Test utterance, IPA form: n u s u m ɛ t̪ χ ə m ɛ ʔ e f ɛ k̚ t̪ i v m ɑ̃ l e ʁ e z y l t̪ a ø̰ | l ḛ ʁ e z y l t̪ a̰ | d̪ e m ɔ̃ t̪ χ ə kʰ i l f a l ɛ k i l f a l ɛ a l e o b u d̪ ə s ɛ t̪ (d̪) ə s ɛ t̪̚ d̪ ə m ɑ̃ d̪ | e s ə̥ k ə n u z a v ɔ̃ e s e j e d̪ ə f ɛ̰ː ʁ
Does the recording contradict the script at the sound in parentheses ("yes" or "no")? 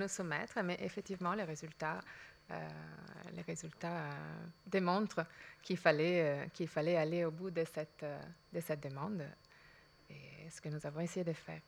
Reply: no